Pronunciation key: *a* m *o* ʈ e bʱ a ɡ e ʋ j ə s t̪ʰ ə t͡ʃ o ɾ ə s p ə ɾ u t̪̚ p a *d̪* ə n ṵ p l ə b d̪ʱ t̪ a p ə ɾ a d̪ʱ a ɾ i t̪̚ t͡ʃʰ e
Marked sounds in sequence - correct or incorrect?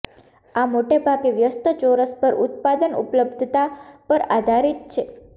correct, correct, correct

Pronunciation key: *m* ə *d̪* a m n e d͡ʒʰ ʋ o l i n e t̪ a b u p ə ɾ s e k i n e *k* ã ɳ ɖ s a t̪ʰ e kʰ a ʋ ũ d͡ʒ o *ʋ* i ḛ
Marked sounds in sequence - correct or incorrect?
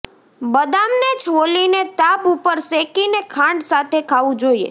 incorrect: b, correct, incorrect: kʰ, incorrect: none

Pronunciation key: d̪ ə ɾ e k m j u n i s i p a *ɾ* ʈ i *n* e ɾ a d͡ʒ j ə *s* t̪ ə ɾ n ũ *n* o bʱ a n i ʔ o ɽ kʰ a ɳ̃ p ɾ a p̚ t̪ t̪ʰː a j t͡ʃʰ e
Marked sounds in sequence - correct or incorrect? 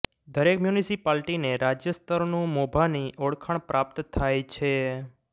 incorrect: l, correct, correct, incorrect: m

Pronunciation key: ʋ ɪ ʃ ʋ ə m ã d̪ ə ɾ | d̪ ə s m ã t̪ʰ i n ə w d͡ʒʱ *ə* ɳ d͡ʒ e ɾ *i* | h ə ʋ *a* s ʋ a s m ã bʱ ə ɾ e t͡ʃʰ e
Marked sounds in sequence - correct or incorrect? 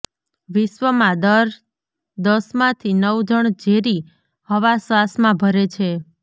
correct, correct, correct

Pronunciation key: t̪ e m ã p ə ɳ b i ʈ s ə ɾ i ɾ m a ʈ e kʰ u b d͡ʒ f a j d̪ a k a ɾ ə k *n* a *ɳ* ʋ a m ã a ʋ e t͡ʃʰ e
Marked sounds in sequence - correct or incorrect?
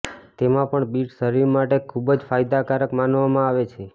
incorrect: m, incorrect: n

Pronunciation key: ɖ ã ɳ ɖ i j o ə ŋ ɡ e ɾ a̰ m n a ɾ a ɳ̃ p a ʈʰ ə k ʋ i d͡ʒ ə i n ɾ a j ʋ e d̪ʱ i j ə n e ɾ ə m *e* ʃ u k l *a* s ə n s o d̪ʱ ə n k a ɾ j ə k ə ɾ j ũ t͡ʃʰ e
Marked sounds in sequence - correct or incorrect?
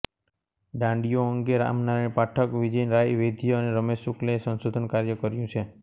correct, incorrect: e

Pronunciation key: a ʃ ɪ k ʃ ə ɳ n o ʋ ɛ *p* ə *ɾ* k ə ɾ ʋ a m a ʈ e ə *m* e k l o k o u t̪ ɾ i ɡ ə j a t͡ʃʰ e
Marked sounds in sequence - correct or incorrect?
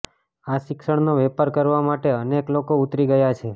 correct, correct, incorrect: n

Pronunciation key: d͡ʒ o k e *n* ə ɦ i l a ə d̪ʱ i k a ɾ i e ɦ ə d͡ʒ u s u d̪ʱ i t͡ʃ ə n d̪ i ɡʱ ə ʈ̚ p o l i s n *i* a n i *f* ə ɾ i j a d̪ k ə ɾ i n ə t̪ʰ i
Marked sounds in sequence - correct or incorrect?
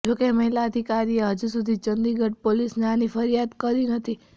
incorrect: m, incorrect: e, correct

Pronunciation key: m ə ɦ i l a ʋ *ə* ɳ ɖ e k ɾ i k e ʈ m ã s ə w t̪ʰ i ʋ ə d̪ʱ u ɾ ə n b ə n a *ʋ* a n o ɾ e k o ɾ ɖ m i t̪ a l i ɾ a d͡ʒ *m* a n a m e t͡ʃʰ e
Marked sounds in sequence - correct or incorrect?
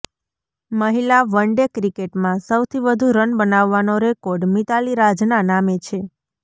correct, incorrect: ʋː, incorrect: n

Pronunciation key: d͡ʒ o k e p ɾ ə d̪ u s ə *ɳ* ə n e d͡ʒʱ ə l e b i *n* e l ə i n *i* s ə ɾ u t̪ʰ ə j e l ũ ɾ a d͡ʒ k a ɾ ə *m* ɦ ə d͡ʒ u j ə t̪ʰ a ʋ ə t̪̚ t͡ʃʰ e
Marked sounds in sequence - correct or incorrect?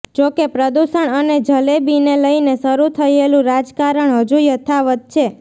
correct, correct, incorrect: e, incorrect: ɳ

